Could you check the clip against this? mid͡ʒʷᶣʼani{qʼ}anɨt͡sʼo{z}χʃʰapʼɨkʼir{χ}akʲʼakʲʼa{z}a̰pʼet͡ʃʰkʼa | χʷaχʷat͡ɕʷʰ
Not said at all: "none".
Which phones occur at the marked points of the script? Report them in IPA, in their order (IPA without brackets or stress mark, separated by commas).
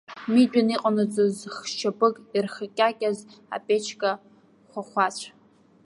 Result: qʼ, z, χ, z